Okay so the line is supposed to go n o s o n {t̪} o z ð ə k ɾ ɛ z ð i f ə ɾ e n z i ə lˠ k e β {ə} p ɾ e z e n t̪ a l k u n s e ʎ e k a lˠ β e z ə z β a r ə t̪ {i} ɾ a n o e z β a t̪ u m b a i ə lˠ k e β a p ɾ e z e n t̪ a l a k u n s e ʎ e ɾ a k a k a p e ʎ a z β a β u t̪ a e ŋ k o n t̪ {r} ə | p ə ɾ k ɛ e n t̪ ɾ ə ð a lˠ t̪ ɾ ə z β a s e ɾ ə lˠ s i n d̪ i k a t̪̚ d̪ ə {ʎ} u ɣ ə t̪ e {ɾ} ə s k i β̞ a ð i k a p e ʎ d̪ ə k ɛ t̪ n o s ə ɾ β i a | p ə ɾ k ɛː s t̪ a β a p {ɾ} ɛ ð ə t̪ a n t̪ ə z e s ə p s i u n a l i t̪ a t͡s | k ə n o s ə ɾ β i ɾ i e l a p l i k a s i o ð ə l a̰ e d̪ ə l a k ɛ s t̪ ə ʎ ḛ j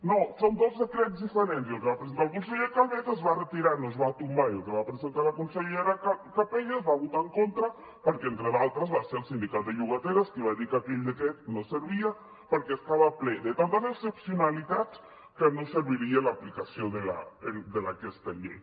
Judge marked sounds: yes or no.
no, no, yes, no, yes, yes, no

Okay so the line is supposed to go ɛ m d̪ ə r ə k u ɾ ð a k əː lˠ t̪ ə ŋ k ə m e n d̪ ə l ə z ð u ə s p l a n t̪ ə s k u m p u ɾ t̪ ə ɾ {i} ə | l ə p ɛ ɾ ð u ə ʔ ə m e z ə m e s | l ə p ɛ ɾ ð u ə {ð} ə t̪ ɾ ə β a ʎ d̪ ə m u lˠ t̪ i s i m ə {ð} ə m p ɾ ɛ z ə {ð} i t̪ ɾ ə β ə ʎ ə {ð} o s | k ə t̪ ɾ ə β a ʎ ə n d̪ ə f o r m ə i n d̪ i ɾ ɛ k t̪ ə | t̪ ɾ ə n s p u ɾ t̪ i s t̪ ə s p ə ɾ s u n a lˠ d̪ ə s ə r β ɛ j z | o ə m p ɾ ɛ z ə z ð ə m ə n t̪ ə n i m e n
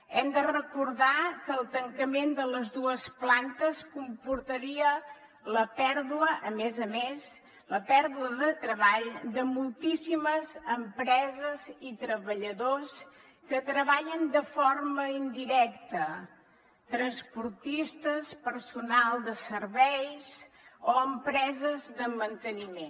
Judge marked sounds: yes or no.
yes, yes, no, no, yes

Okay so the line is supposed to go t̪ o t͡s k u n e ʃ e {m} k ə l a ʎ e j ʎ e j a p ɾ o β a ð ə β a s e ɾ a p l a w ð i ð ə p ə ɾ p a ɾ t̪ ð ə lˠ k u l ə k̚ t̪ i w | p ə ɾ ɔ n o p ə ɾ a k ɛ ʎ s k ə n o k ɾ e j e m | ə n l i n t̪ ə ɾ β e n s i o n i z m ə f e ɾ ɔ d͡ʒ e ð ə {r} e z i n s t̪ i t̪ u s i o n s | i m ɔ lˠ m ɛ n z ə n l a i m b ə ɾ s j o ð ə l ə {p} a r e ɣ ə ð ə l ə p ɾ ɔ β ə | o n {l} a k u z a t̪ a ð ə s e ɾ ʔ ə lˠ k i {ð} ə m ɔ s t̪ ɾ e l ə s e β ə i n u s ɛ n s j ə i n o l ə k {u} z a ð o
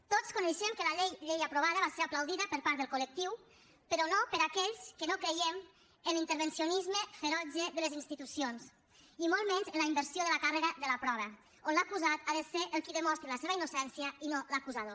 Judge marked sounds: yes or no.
yes, no, no, yes, yes, yes

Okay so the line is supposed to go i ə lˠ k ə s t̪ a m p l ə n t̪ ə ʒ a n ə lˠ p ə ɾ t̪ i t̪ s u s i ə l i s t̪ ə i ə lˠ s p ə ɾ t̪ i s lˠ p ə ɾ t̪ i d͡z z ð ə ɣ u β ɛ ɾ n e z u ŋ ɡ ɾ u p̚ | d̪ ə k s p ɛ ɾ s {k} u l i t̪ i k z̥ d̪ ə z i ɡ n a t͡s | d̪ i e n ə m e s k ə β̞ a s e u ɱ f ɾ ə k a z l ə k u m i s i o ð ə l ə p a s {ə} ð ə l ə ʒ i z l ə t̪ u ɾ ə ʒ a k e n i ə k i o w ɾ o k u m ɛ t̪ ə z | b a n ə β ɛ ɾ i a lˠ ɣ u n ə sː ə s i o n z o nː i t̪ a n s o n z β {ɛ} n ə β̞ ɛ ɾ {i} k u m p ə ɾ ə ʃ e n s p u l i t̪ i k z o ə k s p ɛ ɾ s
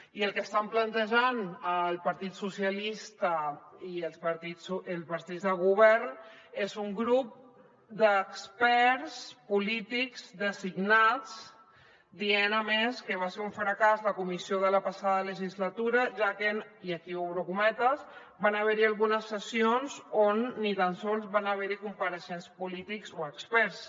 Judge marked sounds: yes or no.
no, no, no, yes

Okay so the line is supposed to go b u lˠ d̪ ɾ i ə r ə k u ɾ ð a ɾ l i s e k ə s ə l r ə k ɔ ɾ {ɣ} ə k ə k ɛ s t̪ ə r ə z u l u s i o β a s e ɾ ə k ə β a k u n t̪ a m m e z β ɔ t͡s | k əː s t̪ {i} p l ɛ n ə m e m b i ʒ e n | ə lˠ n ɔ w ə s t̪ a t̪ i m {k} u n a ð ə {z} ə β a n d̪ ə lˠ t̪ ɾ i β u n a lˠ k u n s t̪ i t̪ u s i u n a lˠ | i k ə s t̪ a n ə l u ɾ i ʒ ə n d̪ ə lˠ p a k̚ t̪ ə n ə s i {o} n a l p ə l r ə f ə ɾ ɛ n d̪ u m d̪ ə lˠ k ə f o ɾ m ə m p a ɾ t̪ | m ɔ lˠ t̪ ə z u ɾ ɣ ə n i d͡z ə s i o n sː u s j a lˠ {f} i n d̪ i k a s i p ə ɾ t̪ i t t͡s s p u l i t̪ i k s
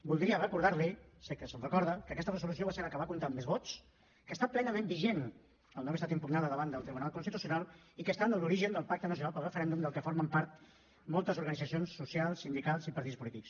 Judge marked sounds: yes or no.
no, no, no, no, no, no

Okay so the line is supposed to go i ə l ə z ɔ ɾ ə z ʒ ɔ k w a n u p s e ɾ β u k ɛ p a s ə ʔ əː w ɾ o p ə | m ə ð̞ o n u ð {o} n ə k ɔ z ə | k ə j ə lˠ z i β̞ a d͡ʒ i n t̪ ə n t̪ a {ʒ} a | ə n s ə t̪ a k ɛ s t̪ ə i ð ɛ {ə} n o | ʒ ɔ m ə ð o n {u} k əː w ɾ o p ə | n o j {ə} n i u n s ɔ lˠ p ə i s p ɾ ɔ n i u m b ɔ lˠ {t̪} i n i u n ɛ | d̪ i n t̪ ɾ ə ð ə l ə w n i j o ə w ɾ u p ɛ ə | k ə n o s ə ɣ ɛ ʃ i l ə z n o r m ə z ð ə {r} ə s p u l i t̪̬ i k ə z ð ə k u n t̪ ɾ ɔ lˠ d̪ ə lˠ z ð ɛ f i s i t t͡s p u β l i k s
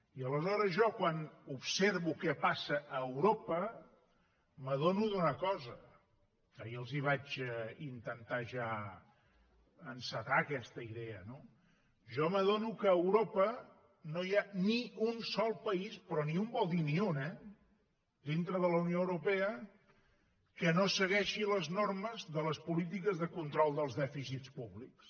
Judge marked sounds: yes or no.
no, yes, yes, yes, no, no, no

